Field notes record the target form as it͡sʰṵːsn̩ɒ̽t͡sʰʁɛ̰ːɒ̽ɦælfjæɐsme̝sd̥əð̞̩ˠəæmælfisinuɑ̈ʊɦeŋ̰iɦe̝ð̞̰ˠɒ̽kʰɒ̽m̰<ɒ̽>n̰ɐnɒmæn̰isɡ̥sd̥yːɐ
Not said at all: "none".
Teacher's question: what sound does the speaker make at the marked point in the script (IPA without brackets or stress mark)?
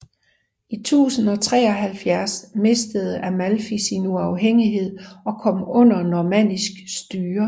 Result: ɔ̽